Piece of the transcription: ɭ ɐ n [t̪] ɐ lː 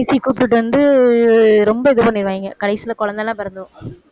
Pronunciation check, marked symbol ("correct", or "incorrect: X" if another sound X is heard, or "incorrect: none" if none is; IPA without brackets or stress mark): incorrect: d̪